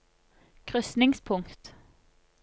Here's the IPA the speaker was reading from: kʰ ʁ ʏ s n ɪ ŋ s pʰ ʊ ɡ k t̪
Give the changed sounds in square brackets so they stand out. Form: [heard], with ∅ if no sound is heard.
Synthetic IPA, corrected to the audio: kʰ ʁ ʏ s n ɪ ŋ s pʰ ʊ [ŋ] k t̪